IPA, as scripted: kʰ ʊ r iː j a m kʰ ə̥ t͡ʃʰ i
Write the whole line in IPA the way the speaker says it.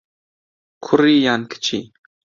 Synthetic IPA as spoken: kʰ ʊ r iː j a n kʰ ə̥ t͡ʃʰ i